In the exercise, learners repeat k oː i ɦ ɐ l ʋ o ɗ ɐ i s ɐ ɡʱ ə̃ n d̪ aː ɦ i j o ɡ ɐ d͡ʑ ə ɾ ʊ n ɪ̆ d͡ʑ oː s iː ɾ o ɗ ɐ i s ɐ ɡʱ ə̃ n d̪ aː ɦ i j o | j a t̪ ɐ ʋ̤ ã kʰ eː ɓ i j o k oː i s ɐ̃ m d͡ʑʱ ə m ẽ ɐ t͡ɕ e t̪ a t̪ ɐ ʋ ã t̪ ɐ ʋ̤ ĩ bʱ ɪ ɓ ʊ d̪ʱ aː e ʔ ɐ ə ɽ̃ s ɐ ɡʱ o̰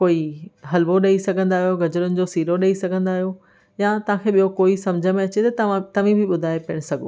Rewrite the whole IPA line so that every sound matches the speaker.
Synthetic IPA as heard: k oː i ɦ ɐ l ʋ o ɗ ɐ i s ɐ ɡʱ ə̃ n d̪ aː ɦ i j o ɡ ɐ d͡ʑ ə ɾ ʊ n ɪ̆ d͡ʑ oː s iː ɾ o ɗ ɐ i s ɐ ɡʱ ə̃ n d̪ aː ɦ i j o | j a t̪ ɐ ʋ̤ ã kʰ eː ɓ i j o k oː i s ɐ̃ m d͡ʑʱ ə m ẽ ɐ t͡ɕ e t̪ ɐ t̪ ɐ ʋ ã t̪ ɐ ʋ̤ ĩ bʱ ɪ ɓ ʊ d̪ʱ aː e p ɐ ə ɽ̃ s ɐ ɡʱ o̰